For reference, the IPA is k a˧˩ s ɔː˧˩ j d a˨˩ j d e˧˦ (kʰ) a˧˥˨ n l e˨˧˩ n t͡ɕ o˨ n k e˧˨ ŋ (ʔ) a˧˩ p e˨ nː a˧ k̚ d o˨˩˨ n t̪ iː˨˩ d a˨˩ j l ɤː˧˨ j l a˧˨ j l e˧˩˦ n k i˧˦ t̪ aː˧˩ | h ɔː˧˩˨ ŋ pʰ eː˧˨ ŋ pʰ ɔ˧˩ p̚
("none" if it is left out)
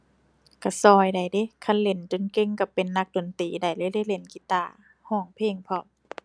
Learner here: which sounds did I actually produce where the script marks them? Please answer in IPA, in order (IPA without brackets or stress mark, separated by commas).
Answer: kʰ, k